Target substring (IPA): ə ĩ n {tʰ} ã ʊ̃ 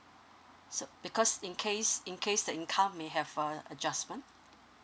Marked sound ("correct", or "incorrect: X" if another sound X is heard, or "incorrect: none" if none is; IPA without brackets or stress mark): incorrect: kʰ